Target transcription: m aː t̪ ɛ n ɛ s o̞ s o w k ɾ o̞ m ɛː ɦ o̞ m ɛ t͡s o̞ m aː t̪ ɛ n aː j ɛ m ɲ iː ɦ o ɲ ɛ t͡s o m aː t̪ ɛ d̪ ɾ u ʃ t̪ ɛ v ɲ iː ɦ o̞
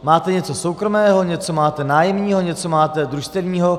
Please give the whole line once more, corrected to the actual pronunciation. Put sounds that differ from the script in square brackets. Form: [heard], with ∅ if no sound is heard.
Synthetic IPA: m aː t̪ ɛ [ɲ] ɛ [t͡s] o̞ s o w k ɾ o̞ m ɛː ɦ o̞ [ɲ] ɛ t͡s o̞ m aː t̪ ɛ n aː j ɛ m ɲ iː ɦ o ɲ ɛ t͡s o m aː t̪ ɛ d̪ ɾ u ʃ t̪ ɛ v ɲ iː ɦ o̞